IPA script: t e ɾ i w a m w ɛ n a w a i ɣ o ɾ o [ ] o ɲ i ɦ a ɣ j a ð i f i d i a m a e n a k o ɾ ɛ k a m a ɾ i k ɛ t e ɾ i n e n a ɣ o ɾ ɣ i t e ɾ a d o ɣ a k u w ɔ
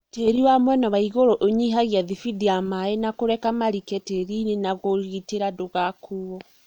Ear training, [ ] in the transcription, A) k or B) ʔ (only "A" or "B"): B